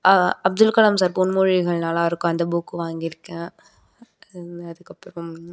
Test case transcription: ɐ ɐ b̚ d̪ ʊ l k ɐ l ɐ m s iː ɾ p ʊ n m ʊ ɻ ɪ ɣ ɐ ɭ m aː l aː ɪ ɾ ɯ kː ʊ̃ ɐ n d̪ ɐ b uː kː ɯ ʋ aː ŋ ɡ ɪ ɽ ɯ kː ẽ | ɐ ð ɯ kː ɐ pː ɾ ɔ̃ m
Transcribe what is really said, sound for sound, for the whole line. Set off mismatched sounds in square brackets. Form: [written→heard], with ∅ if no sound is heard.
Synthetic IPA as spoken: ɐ ɐ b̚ d̪ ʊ l k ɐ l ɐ m s [iː→aː] ɾ p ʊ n m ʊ ɻ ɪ ɣ ɐ ɭ [m→n] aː l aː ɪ ɾ ɯ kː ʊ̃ ɐ n d̪ ɐ b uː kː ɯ ʋ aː ŋ ɡ ɪ [ɽ→ɾ] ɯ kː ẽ | ɐ ð ɯ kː ɐ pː ɾ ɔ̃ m